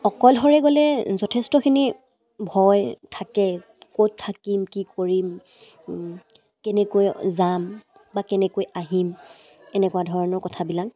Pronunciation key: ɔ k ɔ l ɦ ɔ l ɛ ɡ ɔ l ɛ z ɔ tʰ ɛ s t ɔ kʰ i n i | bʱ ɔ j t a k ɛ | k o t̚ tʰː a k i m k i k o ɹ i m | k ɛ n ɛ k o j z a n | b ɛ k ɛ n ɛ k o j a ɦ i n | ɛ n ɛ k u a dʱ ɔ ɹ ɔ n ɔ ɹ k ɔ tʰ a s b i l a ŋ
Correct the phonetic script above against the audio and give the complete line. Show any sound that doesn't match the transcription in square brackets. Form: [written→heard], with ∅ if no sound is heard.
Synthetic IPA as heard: ɔ k ɔ l ɦ ɔ [l→ɹ] ɛ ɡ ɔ l ɛ z ɔ tʰ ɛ s t ɔ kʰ i n i | bʱ ɔ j [t→tʰ] a k ɛ | k o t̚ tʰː a k i m k i k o ɹ i m | k ɛ n ɛ k o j z a [n→m] | b [ɛ→a] k ɛ n ɛ k o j a ɦ i [n→m] | ɛ n ɛ k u a dʱ ɔ ɹ ɔ n ɔ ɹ k ɔ tʰ a [s→∅] b i l a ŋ